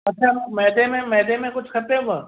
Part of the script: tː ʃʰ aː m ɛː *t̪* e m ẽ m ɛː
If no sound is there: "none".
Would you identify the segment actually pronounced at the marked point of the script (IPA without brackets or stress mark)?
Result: d̪